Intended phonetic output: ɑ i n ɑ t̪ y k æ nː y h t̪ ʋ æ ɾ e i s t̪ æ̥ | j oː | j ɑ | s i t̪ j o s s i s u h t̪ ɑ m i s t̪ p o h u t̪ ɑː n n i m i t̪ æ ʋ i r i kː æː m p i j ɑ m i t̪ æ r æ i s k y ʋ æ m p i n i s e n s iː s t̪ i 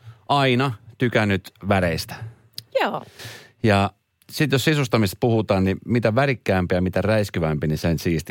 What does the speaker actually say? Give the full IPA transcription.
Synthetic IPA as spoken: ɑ i n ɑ t̪ y k æ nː y t̪ ʋ æ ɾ e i s t̪ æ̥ | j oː | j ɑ | s i t̪ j o s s i s u s t̪ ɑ m i s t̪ p u h u t̪ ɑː n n i m i t̪ æ ʋ æ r i kː æː m p i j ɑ m i t̪ æ r æ i s k y ʋ æ m p i n i s e n s iː s t̪ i